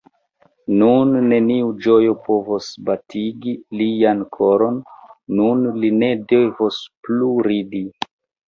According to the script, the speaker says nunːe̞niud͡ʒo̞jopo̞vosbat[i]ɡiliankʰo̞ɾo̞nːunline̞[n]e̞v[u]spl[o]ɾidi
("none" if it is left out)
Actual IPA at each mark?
i, d, o, u

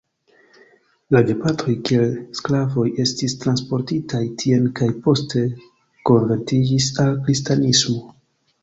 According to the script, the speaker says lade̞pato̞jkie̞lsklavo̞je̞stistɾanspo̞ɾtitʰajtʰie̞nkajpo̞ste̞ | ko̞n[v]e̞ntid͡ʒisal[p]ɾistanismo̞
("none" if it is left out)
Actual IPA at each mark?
v, k

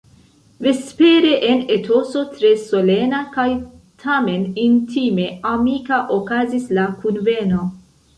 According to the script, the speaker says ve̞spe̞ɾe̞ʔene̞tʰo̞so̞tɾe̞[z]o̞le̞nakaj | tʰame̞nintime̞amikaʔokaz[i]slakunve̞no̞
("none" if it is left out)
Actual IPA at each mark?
s, i

